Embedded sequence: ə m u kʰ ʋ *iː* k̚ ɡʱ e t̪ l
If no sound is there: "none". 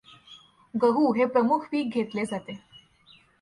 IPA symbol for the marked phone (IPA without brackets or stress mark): iː